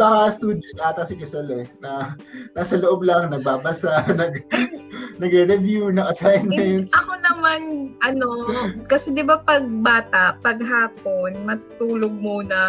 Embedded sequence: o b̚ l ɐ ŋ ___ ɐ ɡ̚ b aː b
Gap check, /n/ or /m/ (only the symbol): n